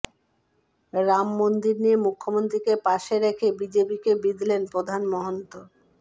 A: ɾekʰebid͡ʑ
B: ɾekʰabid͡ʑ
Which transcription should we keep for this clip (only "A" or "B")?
A